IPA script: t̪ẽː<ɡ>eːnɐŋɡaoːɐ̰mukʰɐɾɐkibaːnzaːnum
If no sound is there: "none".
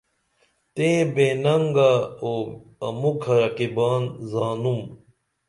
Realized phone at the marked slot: b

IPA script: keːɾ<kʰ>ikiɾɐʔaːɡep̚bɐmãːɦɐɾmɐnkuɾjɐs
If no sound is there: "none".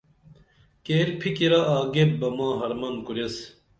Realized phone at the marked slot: pʰ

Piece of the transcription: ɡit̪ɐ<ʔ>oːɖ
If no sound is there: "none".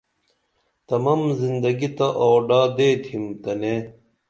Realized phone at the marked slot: ʔ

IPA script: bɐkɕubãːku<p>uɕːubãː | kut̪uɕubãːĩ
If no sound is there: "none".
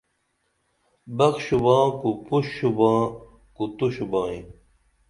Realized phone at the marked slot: p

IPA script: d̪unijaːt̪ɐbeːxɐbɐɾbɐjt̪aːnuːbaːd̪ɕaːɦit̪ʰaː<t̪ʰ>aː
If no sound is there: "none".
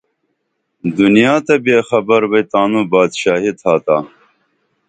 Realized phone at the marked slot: t̪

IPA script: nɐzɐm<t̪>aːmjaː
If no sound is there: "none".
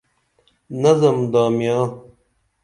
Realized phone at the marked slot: d̪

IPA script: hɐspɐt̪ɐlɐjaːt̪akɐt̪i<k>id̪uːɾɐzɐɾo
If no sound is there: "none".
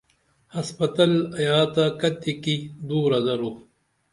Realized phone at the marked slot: k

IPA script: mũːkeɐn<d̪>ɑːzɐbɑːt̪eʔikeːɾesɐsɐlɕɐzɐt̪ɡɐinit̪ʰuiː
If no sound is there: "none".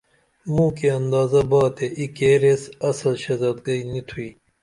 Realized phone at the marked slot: d̪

